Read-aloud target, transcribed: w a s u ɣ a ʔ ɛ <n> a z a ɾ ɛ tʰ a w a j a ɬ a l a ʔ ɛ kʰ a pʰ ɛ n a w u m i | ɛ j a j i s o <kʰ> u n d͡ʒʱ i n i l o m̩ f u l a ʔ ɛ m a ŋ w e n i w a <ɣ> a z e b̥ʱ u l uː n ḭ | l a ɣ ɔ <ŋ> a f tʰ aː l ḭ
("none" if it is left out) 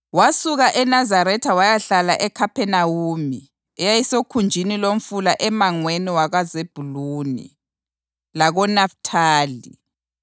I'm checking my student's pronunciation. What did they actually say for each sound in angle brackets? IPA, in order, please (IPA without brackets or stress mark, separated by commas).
n, kʰ, ɣ, n